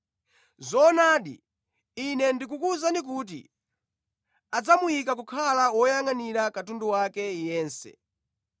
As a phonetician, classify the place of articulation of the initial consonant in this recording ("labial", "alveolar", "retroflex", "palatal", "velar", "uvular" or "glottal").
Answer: alveolar